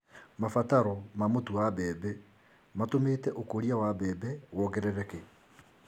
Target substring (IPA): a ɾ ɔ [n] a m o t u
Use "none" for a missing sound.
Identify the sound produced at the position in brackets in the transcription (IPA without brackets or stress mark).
m